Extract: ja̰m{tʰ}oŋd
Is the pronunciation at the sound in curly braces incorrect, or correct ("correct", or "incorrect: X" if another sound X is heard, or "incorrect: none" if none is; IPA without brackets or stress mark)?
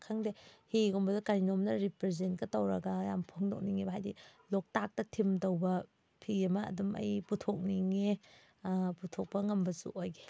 incorrect: pʰ